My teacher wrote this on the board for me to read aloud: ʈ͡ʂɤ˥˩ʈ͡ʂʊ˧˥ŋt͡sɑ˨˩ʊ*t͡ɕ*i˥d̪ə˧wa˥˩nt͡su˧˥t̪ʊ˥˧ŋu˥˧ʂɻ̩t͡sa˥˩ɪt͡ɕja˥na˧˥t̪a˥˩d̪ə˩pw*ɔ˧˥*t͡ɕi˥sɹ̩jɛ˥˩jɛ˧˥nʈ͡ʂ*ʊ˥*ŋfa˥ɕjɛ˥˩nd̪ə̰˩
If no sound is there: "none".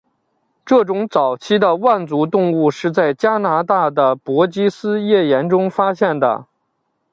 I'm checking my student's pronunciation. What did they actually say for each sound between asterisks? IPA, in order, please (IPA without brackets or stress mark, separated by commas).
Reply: t͡ɕʰ, ɔ˧˥, ʊ˥